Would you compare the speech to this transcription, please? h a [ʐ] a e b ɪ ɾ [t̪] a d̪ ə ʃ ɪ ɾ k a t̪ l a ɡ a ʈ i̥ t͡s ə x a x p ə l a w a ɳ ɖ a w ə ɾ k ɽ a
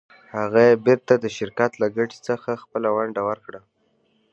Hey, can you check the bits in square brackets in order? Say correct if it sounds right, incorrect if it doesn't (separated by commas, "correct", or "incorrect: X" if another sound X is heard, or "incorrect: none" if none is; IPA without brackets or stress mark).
incorrect: ɣ, correct